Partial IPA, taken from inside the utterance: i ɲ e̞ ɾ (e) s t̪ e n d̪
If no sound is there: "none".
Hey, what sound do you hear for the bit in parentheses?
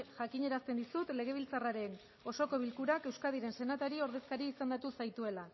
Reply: a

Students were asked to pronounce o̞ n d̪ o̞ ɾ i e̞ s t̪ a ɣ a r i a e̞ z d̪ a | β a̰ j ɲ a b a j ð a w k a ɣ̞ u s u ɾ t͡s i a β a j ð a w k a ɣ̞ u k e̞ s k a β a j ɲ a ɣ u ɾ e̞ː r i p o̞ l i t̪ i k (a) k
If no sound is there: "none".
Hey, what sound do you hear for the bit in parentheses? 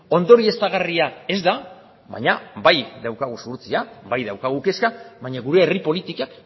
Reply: a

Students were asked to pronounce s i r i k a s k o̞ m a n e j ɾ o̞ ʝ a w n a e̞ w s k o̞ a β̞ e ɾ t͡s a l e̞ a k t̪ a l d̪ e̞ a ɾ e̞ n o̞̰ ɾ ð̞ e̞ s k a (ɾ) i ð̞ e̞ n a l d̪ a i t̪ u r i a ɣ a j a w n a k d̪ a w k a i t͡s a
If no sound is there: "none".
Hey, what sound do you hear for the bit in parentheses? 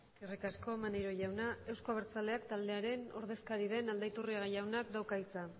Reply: ɾ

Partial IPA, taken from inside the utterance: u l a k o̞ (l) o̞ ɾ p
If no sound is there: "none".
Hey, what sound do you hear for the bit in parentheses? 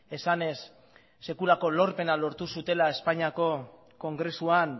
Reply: l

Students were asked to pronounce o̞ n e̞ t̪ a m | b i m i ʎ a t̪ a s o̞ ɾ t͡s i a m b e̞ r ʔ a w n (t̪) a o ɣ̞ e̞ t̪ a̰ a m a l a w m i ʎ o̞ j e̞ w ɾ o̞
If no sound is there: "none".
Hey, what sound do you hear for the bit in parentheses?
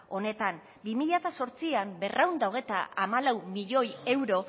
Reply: d̪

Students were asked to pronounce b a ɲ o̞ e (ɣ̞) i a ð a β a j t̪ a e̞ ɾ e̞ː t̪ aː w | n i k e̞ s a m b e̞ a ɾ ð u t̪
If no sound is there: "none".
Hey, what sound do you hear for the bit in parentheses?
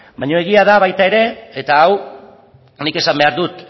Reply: ɣ̞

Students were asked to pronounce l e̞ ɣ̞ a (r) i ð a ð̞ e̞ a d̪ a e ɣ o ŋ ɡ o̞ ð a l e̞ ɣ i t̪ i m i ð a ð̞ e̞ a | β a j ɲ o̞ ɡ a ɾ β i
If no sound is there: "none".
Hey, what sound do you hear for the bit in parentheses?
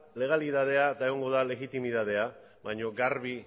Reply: l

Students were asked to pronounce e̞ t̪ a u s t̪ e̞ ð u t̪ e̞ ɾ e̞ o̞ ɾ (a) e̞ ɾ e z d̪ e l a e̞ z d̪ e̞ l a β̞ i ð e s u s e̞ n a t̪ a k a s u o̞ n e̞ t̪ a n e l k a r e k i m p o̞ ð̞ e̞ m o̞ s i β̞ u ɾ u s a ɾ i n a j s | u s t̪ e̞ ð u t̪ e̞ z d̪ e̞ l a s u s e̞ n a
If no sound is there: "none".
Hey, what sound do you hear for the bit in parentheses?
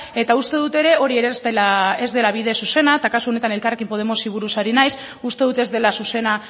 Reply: i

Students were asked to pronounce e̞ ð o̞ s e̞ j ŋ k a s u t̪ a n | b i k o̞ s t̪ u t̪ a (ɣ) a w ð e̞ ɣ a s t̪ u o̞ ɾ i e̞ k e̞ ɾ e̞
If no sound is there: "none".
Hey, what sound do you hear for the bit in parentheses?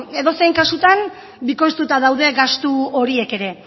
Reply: ð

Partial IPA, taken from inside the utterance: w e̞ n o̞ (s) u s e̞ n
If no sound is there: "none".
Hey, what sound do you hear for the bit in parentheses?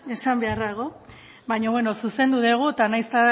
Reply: s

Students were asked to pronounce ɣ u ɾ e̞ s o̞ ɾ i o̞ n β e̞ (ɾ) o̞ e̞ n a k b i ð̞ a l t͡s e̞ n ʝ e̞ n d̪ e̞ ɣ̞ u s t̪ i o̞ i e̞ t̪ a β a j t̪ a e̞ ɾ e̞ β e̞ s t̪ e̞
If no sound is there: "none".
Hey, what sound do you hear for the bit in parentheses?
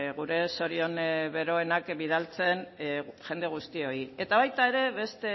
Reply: ɾ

